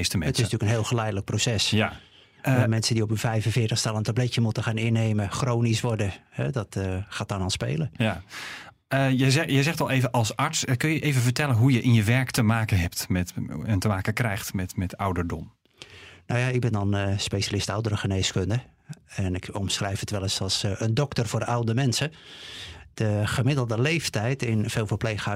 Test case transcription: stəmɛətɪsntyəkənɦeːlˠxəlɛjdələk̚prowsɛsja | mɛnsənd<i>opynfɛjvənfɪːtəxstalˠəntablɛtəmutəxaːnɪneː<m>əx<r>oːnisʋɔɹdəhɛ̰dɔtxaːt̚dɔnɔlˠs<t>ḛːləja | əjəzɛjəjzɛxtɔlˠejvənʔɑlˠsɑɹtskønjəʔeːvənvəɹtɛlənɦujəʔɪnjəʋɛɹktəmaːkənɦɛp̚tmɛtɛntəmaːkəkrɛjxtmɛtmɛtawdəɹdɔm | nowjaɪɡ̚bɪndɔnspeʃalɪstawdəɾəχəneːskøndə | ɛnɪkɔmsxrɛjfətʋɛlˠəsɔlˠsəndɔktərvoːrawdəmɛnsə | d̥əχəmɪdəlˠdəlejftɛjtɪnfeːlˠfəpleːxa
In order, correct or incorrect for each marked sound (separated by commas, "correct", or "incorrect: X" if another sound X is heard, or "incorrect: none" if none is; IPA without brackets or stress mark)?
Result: correct, correct, correct, incorrect: p